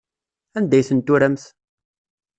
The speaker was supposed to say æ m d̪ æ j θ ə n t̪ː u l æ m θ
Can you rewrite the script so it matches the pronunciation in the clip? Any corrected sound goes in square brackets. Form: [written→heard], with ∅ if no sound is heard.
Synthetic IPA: æ [m→n] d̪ æ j θ ə n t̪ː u [l→ɾ] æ m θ